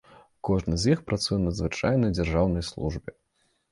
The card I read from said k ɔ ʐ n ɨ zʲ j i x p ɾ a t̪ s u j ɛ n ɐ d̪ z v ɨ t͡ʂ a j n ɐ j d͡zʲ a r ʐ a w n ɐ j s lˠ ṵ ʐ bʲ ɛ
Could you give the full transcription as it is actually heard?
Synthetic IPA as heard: k ɔ ʐ n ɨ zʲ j i x p ɾ a t̪ s u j ɛ n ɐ d̪ z v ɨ t͡ʂ a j n ɐ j d͡zʲ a r ʐ a w n ɐ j s lˠ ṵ ʐ bʲ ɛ